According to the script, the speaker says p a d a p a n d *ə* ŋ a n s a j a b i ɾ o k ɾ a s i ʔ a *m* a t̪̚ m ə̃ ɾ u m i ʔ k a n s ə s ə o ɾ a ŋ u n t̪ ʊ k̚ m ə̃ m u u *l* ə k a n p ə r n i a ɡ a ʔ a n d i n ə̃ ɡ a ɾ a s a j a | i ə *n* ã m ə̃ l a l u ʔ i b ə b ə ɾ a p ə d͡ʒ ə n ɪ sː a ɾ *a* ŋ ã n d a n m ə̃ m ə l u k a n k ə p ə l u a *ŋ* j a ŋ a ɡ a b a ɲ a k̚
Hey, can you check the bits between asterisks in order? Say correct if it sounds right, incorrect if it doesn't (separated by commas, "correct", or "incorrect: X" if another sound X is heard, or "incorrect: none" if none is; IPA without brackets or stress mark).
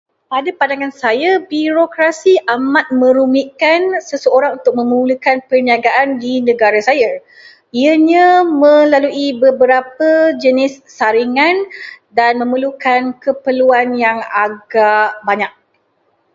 incorrect: a, correct, correct, incorrect: ɲ, incorrect: i, incorrect: n